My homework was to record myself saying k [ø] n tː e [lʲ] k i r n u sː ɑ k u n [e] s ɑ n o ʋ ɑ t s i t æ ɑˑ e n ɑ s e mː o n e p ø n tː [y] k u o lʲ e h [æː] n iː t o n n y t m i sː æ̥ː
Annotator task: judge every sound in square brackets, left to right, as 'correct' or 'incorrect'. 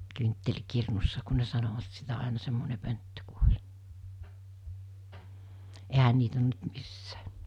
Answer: incorrect, correct, correct, incorrect, incorrect

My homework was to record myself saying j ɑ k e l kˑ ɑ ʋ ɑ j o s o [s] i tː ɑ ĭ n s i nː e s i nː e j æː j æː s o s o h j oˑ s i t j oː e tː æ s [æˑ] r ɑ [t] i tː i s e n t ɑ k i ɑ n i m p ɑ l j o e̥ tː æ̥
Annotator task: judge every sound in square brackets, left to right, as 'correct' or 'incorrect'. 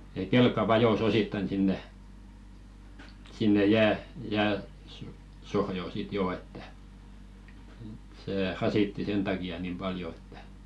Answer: correct, incorrect, incorrect

